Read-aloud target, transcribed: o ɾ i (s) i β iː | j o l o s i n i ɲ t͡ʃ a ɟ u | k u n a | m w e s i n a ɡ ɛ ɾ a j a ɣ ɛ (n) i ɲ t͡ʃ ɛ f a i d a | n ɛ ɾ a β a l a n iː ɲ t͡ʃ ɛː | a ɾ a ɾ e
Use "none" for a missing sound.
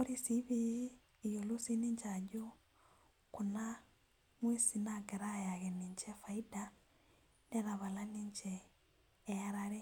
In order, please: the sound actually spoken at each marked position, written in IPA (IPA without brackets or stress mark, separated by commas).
s, n